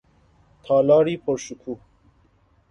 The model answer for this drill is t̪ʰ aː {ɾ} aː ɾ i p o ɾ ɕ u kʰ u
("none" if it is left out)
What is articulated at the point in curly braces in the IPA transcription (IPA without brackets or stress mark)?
l